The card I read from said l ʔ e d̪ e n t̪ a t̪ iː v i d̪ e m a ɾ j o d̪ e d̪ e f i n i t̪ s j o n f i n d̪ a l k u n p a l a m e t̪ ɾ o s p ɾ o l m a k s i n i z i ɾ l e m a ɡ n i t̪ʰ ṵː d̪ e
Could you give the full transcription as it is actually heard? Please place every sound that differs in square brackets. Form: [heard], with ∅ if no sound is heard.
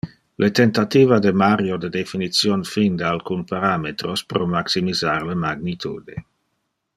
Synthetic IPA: l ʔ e [t̪] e n t̪ a t̪ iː v [a] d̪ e m a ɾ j o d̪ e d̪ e f i n i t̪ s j o n f i n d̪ a l k u n p a [ɾ] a m e t̪ ɾ o s p ɾ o [∅] m a k s i [m] i z [a] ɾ l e m a ɡ n i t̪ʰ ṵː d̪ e